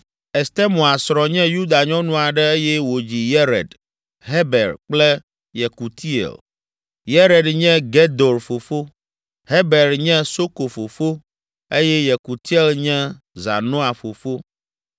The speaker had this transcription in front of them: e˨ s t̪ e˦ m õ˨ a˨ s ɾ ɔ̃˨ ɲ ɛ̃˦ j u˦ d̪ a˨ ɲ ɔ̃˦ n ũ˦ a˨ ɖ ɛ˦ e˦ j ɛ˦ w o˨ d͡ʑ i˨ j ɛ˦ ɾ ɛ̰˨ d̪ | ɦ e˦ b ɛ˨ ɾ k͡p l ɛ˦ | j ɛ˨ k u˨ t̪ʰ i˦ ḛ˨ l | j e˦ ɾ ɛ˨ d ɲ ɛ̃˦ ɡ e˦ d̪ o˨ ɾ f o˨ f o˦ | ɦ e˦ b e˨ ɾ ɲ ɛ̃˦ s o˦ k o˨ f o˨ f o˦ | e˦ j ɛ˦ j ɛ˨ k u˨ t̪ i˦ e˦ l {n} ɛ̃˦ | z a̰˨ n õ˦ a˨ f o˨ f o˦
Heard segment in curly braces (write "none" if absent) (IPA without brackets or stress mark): ɲ